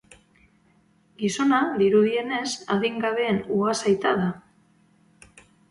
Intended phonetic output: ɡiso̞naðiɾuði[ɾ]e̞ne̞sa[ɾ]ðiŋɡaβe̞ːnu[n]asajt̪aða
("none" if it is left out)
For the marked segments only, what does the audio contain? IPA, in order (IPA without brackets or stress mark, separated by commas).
none, none, none